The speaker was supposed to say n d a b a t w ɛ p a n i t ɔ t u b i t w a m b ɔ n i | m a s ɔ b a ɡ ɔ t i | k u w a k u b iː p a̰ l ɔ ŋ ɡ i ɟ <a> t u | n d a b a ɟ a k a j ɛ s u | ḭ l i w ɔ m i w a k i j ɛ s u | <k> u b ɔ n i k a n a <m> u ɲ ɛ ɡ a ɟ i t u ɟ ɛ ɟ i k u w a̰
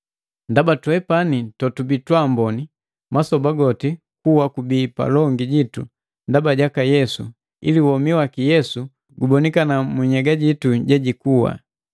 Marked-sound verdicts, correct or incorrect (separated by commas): incorrect, incorrect, correct